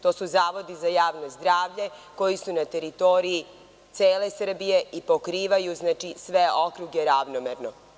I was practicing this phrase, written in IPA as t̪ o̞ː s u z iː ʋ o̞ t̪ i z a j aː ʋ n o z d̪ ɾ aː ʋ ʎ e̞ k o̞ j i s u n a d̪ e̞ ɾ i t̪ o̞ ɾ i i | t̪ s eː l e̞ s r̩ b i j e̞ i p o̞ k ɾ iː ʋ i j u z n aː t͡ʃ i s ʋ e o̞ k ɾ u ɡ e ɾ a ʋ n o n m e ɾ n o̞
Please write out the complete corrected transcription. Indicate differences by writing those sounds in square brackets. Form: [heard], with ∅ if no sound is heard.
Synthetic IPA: t̪ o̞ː s u z [aː] ʋ o̞ [d̪] i z a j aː ʋ n o z d̪ ɾ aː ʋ ʎ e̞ k o̞ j i s u n a [t̪] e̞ ɾ i t̪ o̞ ɾ i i | t̪ s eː l e̞ s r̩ b i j e̞ i p o̞ k ɾ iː ʋ [a] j u z n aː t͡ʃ i s ʋ e o̞ k ɾ u ɡ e ɾ a ʋ n o [∅] m e ɾ n o̞

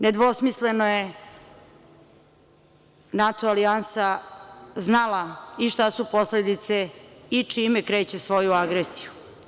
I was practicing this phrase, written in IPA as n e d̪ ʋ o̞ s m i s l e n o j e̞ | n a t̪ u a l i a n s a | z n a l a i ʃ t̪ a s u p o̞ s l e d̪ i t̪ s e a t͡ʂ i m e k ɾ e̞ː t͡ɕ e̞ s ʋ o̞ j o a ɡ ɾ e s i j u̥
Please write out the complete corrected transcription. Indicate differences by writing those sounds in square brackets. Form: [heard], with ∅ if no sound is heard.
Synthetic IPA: n e d̪ ʋ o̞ s m i s l e n o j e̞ | n a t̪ [o] a l i a n s a | z n a l a i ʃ t̪ a s u p o̞ s l e d̪ i t̪ s e [i] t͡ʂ i m e k ɾ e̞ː t͡ɕ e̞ s ʋ o̞ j [u] a ɡ ɾ e s i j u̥

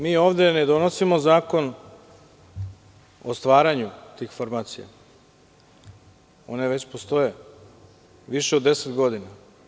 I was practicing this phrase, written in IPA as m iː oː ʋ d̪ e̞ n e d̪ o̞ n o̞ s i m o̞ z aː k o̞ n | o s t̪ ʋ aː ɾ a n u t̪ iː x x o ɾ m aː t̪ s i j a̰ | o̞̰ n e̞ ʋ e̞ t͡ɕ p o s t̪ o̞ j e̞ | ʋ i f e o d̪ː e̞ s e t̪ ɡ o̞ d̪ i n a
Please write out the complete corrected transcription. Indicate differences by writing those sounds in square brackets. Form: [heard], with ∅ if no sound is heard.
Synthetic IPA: m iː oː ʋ d̪ e̞ n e d̪ o̞ n o̞ s i m o̞ z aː k o̞ n | o s t̪ ʋ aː ɾ a [ɲ] u t̪ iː x [f] o ɾ m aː t̪ s i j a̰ | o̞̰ n e̞ ʋ e̞ t͡ɕ p o s t̪ o̞ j e̞ | ʋ i [ʃ] e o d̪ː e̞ s e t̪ ɡ o̞ d̪ i n a

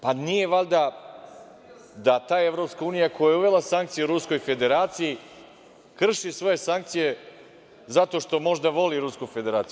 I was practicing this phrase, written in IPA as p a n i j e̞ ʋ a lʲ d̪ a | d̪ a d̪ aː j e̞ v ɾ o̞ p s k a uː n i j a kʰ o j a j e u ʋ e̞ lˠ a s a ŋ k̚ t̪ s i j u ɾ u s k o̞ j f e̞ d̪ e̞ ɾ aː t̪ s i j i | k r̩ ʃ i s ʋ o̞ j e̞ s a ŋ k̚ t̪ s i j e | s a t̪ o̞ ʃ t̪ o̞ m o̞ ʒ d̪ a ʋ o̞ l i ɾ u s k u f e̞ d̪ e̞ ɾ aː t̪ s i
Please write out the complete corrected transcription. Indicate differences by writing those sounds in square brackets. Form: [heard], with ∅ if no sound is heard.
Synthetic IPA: p a n i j e̞ ʋ a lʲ d̪ a | d̪ a [t̪] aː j e̞ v ɾ o̞ p s k a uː n i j a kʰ o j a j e u ʋ e̞ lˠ a s a ŋ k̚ t̪ s i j u ɾ u s k o̞ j f e̞ d̪ e̞ ɾ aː t̪ s i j i | k r̩ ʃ i s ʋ o̞ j e̞ s a ŋ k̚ t̪ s i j e | [z] a t̪ o̞ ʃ t̪ o̞ m o̞ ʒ d̪ a ʋ o̞ l i ɾ u s k u f e̞ d̪ e̞ ɾ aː t̪ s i

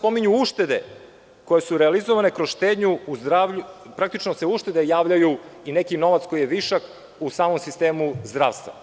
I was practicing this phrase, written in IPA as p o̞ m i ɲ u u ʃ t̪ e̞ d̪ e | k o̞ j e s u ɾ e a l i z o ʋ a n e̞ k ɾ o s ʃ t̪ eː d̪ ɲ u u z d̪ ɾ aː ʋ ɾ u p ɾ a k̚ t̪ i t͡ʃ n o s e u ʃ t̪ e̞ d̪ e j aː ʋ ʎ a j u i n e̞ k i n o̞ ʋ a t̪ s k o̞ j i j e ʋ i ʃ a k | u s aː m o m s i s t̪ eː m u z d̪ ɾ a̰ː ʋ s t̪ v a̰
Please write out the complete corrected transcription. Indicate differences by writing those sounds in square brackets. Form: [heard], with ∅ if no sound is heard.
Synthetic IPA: p o̞ m i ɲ u u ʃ t̪ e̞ d̪ e | k o̞ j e s u ɾ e a l i z o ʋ a n e̞ k ɾ o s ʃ t̪ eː d̪ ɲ u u z d̪ ɾ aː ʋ [ʎ] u p ɾ a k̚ t̪ i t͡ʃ n o s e u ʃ t̪ e̞ d̪ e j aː ʋ ʎ a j u i n e̞ k i n o̞ ʋ a t̪ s k o̞ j i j e ʋ i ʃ a k | u s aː m o m s i s t̪ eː m u z d̪ ɾ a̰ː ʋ s t̪ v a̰

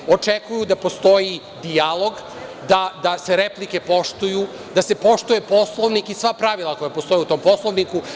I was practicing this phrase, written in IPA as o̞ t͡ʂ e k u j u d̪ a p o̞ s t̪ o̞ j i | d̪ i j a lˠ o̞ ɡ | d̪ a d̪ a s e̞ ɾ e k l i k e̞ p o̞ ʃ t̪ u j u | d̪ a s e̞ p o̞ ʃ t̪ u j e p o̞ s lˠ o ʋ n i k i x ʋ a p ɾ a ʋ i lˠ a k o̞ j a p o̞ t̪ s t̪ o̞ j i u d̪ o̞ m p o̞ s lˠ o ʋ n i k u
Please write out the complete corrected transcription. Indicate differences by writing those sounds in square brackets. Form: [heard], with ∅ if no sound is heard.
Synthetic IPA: o̞ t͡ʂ e k u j u d̪ a p o̞ s t̪ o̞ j i | d̪ i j a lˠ o̞ ɡ | d̪ a d̪ a s e̞ ɾ e [p] l i k e̞ p o̞ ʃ t̪ u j u | d̪ a s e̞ p o̞ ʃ t̪ u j e p o̞ s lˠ o ʋ n i k i [s] ʋ a p ɾ a ʋ i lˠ a k o̞ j a p o̞ [∅] s t̪ o̞ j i u [t̪] o̞ m p o̞ s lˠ o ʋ n i k u

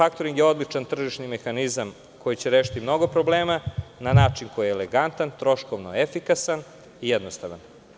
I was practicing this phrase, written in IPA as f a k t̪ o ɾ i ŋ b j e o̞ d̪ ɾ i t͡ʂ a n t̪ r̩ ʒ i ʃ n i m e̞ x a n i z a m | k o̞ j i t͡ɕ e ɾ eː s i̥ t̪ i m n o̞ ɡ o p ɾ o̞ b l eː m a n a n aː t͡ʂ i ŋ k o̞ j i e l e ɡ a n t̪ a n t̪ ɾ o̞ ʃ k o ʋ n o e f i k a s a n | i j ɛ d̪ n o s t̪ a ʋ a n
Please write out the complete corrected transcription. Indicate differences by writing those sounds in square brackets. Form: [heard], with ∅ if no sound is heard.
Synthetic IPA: f a k t̪ o ɾ i ŋ [ɡ] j e o̞ d̪ [l] i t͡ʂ a n t̪ r̩ ʒ i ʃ n i m e̞ x a n i z a m | k o̞ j i t͡ɕ e ɾ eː [ʃ] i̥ t̪ i m n o̞ ɡ o p ɾ o̞ b l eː m a n a n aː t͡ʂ i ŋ k o̞ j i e l e ɡ a n t̪ a n t̪ ɾ o̞ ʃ k o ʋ n o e f i k a s a n | i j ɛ d̪ n o s t̪ a ʋ a n

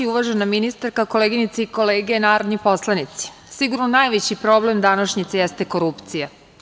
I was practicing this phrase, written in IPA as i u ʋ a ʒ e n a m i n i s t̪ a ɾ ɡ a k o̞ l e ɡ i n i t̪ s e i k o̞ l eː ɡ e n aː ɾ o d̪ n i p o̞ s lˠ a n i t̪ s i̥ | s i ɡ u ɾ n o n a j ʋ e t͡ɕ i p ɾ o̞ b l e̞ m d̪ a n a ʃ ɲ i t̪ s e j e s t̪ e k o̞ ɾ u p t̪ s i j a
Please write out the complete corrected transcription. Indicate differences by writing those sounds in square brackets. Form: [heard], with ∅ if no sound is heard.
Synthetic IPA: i u ʋ a ʒ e n a m i n i s t̪ a ɾ [k] a k o̞ l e ɡ i n i t̪ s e i k o̞ l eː ɡ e n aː ɾ o d̪ n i p o̞ s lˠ a n i t̪ s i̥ | s i ɡ u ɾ n o n a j ʋ e t͡ɕ i p ɾ o̞ b l e̞ m d̪ a n a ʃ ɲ i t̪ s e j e s t̪ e k o̞ ɾ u p t̪ s i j a

